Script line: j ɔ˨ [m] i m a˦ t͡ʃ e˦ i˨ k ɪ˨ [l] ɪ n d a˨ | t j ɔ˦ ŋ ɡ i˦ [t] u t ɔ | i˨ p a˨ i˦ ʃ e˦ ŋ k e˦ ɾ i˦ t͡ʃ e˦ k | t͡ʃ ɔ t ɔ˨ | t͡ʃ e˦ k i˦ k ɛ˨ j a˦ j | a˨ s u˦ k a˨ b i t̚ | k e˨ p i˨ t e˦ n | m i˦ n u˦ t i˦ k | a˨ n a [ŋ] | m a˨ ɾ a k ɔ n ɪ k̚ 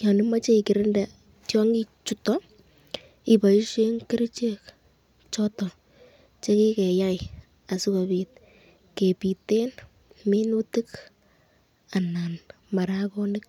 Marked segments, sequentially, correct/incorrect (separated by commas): incorrect, incorrect, incorrect, incorrect